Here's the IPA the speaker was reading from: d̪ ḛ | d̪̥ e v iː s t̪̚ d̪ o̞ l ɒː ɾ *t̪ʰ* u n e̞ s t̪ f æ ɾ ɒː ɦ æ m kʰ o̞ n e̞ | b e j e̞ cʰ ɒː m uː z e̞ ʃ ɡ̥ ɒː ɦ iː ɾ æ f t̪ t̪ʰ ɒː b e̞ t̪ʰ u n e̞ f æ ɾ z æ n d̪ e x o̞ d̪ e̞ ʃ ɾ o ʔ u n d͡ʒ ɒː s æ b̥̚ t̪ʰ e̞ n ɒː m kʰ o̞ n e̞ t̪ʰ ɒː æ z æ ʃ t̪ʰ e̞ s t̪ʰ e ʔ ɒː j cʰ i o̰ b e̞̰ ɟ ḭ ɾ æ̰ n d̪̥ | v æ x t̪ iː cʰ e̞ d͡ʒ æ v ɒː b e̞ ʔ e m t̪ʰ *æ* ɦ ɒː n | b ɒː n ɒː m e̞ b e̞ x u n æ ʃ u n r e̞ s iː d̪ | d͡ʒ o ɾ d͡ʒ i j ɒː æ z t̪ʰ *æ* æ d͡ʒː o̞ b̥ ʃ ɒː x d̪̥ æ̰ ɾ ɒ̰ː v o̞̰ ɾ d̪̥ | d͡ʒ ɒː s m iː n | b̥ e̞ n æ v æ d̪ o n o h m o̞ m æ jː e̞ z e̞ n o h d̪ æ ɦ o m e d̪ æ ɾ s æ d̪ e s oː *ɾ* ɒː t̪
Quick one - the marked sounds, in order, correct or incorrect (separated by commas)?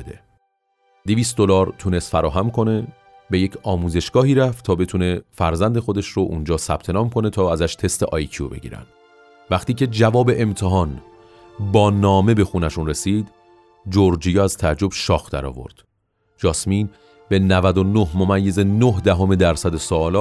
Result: correct, incorrect, correct, incorrect